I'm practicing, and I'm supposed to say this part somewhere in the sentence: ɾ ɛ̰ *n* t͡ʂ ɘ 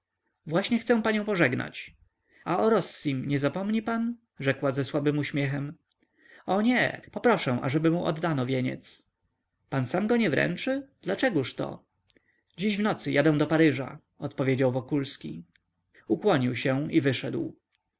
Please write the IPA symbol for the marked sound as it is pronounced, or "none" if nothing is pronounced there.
n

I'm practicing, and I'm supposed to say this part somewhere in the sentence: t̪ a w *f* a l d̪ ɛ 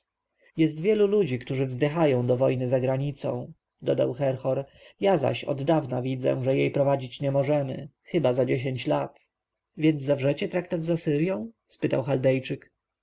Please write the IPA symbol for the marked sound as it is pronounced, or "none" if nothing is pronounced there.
x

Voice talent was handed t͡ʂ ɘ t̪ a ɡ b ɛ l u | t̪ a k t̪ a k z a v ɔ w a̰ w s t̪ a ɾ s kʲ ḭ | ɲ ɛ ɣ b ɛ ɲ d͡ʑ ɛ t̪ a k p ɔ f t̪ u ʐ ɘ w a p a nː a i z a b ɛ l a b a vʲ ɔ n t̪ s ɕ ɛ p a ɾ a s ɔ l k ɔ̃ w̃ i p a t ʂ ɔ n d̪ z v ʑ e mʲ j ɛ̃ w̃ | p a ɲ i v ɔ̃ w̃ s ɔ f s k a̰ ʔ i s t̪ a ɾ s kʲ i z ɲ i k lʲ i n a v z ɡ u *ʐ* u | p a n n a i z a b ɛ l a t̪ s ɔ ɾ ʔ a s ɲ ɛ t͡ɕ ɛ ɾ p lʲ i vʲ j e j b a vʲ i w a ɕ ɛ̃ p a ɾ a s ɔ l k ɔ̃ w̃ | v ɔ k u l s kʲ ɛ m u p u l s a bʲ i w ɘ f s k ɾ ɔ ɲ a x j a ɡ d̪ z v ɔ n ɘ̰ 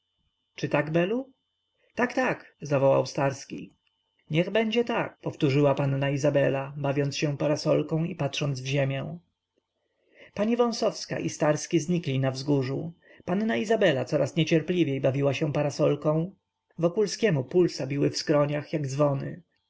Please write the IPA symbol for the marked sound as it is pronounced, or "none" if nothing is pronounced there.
ʐ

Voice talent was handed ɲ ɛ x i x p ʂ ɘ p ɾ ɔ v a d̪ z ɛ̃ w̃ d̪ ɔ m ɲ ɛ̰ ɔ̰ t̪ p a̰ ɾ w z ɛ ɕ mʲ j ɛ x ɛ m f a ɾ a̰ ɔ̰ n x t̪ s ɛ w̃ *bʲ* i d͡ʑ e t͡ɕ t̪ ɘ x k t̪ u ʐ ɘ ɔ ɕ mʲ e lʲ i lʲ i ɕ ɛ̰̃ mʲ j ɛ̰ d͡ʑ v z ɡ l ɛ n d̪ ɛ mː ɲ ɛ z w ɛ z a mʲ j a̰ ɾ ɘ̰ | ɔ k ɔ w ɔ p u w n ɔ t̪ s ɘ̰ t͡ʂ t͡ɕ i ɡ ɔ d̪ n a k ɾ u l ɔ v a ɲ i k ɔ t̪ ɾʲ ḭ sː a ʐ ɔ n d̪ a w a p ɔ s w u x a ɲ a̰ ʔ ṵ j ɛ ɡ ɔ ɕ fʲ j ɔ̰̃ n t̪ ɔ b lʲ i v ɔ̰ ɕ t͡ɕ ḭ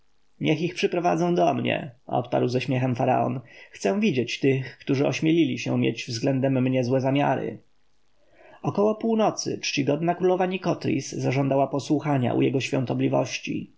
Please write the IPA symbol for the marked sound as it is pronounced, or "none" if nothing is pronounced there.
vʲ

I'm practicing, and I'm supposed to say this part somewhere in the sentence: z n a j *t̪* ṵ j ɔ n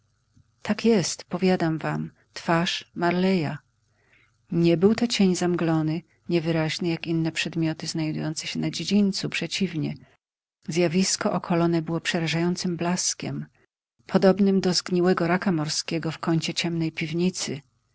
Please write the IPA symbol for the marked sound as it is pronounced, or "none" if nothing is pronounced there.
d̪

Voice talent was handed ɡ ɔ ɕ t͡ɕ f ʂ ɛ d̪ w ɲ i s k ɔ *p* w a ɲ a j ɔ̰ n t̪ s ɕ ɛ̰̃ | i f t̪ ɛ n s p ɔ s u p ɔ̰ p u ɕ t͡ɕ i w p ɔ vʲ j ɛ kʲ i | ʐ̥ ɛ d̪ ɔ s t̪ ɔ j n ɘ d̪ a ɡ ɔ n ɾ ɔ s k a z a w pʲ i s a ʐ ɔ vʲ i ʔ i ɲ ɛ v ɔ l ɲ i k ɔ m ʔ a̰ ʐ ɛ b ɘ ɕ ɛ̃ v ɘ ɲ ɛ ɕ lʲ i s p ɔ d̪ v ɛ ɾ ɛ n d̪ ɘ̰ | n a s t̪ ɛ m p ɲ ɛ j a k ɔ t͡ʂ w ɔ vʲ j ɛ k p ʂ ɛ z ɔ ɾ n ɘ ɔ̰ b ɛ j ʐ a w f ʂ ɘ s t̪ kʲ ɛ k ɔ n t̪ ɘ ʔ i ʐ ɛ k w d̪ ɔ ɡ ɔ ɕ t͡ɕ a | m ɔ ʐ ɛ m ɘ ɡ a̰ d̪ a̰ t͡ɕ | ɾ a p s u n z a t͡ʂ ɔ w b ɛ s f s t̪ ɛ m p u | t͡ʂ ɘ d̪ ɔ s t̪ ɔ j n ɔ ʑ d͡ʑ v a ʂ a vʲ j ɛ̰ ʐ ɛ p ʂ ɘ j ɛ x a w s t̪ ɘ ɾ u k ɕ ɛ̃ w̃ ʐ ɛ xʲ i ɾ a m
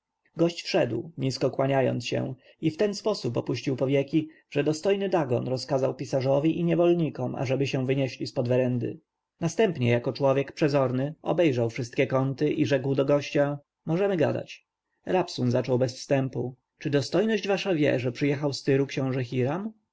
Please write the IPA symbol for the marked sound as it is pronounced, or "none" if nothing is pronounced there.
k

